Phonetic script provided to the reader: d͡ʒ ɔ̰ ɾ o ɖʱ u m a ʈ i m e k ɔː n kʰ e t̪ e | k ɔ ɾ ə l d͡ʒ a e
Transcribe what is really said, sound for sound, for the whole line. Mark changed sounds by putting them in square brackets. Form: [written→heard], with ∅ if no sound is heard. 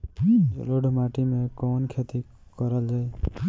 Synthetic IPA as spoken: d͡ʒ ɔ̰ [ɾ→l] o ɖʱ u m a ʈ i m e k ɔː n kʰ e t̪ [e→i] | k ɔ ɾ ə l d͡ʒ a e